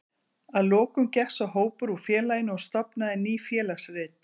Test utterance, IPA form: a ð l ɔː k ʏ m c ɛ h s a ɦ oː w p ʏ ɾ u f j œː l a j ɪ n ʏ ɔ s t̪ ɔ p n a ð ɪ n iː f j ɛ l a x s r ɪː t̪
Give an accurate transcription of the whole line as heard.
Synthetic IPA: a ð l ɔː k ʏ m c ɛ h s a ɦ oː w p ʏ ɾ u f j ɛː l a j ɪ n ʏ ɔ s t̪ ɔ p n a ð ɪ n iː f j ɛː l a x s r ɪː t̪